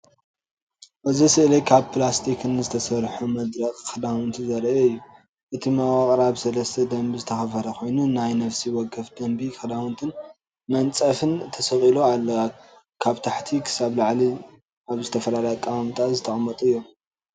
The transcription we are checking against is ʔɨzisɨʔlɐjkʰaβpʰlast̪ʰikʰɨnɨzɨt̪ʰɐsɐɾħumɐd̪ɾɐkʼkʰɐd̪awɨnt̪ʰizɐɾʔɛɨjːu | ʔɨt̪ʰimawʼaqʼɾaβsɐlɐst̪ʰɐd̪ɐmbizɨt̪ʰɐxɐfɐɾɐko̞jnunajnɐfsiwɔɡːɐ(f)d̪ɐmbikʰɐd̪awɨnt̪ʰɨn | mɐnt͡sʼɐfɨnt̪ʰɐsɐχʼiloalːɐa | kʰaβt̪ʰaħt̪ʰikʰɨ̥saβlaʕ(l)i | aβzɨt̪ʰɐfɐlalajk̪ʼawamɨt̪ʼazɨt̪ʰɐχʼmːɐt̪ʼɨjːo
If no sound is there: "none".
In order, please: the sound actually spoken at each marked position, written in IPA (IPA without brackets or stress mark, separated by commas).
f, l